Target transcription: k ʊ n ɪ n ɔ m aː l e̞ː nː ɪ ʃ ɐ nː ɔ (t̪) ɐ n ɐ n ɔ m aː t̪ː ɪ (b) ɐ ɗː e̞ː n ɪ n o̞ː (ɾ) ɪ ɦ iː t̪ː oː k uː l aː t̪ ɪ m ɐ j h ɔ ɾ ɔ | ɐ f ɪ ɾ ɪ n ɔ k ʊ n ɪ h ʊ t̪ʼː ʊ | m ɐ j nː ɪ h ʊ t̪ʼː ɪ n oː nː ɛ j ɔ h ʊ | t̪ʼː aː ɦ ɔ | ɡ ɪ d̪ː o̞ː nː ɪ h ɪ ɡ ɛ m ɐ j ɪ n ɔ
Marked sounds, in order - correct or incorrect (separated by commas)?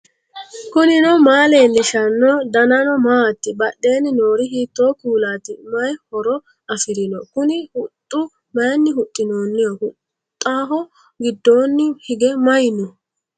incorrect, correct, correct